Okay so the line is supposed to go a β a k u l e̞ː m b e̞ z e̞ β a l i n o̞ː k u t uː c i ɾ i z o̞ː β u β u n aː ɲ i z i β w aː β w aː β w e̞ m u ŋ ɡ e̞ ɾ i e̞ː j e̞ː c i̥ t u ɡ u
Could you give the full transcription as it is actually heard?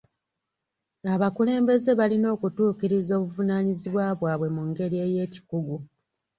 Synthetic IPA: a β a k u l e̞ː m b e̞ z e̞ β a l i n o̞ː k u t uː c i ɾ i z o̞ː β u v u n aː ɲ i z i β w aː β w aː β w e̞ m u ŋ ɡ e̞ ɾ i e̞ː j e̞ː c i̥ k u ɡ u